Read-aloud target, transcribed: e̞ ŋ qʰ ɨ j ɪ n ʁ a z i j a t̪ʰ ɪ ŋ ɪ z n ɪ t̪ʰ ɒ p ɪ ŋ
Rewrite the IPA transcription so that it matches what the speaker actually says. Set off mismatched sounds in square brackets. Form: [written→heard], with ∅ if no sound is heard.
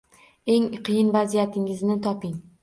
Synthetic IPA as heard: e̞ ŋ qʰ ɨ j ɪ n [ʁ→v] a z i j a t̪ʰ ɪ ŋ ɪ z n ɪ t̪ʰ ɒ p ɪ ŋ